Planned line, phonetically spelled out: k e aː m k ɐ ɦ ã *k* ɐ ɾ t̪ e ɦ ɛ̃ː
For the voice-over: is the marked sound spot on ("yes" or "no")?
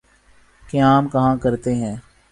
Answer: yes